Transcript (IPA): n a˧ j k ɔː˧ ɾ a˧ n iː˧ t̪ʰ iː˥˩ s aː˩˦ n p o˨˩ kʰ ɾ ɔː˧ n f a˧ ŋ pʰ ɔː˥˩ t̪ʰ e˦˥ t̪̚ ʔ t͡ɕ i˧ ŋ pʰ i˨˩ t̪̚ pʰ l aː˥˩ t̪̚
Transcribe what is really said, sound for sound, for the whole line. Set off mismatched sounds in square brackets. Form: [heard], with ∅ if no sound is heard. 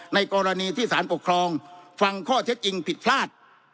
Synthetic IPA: n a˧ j k ɔː˧ ɾ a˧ n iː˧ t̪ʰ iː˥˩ s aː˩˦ n p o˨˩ kʰ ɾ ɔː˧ [ŋ] f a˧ ŋ [kʰ] ɔː˥˩ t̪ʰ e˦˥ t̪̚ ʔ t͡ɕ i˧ ŋ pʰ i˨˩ t̪̚ pʰ l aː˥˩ t̪̚